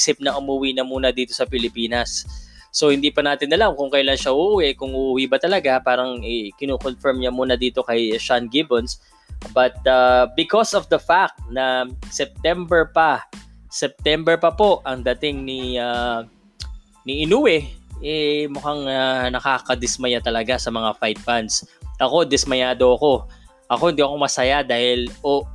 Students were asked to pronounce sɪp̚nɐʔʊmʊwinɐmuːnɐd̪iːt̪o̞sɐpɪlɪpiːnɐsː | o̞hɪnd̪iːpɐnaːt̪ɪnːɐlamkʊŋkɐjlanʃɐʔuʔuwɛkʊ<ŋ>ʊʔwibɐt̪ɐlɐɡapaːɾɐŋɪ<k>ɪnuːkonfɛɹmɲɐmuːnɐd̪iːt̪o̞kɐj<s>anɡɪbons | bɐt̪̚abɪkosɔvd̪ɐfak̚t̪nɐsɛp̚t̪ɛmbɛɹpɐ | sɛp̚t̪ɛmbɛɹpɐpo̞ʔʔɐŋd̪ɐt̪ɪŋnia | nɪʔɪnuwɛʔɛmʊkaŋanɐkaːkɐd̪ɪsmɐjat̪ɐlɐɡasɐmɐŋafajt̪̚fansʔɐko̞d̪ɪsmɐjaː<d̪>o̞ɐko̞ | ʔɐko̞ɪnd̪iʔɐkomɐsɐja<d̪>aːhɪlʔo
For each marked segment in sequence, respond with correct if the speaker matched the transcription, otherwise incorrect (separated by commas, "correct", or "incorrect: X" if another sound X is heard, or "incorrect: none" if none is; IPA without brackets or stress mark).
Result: correct, correct, incorrect: ʃ, correct, correct